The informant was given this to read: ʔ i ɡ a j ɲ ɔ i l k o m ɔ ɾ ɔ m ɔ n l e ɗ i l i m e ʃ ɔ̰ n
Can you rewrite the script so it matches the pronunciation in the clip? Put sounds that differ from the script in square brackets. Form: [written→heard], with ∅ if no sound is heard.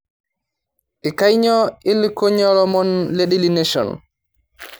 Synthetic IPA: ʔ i [ɡ→k] a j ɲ ɔ i l k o [m→ɲ] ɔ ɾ ɔ m ɔ n l e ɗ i l i [m→n] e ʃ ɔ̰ n